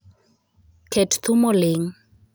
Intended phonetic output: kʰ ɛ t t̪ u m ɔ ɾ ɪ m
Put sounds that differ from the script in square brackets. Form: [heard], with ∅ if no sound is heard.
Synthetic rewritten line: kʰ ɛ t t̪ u m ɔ [l] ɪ [ŋ]